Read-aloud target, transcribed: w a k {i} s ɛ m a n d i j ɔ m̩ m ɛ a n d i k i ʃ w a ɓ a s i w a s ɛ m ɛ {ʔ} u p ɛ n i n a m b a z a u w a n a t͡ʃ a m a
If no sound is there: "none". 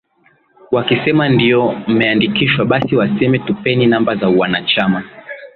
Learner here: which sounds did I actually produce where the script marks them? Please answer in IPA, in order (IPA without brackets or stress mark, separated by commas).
i, t